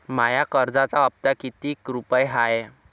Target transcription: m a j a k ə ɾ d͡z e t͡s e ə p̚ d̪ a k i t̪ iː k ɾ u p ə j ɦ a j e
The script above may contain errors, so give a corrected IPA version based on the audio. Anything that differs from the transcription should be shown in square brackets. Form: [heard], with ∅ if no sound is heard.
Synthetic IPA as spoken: m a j a k ə ɾ d͡z [a] t͡s [a] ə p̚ [t̪] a k i t̪ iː k ɾ u p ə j ɦ a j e